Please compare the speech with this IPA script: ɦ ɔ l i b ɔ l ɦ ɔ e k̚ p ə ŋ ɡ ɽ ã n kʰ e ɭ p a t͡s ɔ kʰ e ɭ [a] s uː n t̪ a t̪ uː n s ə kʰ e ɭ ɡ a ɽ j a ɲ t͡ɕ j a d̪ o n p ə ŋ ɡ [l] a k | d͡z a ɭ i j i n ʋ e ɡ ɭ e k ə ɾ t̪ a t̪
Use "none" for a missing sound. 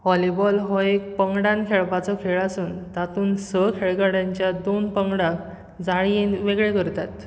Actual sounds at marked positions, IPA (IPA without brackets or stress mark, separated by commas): a, ɽ